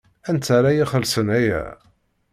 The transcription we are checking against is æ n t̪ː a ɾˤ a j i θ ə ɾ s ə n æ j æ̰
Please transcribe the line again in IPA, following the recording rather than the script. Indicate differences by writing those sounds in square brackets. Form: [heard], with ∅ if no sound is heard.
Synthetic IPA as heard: æ n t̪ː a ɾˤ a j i [χ] ə [l] s ə n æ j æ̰